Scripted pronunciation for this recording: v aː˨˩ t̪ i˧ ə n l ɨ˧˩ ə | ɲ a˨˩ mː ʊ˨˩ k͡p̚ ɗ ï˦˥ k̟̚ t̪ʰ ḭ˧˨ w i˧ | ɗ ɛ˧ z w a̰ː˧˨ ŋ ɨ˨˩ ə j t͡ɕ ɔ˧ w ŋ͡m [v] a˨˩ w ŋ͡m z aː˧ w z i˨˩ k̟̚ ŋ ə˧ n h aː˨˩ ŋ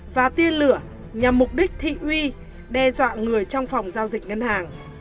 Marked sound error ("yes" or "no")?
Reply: yes